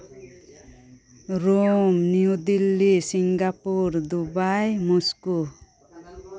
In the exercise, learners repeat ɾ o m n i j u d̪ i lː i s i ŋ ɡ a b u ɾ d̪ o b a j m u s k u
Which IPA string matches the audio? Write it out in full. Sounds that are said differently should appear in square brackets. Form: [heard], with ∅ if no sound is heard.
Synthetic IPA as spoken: ɾ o m n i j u d̪ i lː i s i ŋ ɡ a [p] u ɾ d̪ [u] b a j m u s k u